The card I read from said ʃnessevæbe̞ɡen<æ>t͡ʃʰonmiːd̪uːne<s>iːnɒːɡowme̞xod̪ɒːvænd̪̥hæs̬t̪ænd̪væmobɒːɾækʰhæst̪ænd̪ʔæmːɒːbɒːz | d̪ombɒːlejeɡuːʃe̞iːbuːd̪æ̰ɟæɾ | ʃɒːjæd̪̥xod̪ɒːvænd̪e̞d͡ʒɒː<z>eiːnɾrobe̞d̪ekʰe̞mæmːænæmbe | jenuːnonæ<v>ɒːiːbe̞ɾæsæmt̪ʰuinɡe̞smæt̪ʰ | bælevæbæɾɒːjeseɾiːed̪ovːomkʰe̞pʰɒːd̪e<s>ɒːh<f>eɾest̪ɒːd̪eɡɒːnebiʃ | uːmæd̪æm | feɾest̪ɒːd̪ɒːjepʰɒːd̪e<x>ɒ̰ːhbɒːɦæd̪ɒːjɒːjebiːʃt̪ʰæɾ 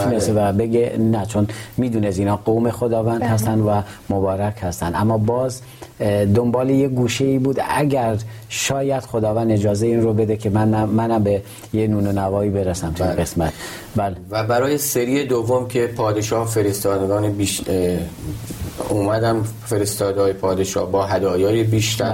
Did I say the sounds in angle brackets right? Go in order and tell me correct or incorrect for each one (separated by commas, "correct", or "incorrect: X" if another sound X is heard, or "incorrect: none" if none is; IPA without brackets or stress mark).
correct, correct, correct, correct, incorrect: ʃ, correct, incorrect: ʃ